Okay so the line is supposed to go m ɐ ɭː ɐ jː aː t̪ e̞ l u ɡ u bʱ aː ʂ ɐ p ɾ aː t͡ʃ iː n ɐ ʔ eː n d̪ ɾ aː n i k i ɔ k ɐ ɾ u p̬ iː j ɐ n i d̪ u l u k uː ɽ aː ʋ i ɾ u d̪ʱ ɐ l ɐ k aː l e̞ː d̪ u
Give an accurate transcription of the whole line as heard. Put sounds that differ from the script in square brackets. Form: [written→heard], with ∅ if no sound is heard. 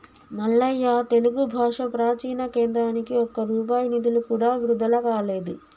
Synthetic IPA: m ɐ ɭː ɐ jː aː t̪ e̞ l u ɡ u bʱ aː ʂ ɐ p ɾ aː t͡ʃ iː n ɐ [ʔ→k] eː n d̪ ɾ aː n i k i ɔ k ɐ ɾ [u→uː] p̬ [iː→aː] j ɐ n i d̪ u l u k uː ɽ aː ʋ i ɾ u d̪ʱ ɐ l ɐ k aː l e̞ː d̪ u